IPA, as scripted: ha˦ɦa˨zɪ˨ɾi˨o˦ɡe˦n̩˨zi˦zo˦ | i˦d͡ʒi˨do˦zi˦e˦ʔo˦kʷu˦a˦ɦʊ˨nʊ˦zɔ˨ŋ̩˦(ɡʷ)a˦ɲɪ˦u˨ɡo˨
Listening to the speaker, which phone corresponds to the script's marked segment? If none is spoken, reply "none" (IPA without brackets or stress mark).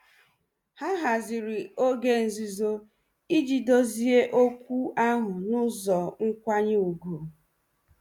kʷ